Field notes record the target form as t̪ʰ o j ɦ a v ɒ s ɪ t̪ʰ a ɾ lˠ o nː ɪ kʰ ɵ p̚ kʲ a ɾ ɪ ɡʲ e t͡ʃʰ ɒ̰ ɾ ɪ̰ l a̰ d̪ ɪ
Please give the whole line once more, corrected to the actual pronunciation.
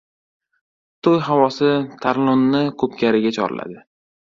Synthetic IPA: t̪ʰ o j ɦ a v ɒ s ɪ t̪ʰ a ɾ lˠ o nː ɪ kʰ ɵ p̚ kʲ a ɾ ɪ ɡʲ a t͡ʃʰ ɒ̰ ɾ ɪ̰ l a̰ d̪ ɪ